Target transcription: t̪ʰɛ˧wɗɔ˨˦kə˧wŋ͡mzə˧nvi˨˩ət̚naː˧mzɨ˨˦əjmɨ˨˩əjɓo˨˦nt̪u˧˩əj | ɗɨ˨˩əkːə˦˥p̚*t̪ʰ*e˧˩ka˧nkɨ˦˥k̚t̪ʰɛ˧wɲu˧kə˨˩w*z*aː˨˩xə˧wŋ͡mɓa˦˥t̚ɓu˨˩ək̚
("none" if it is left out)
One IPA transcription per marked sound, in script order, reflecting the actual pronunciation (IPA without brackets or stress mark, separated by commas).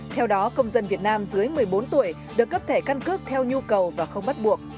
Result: t̪ʰ, v